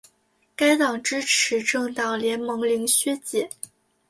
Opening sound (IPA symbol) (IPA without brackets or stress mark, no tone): k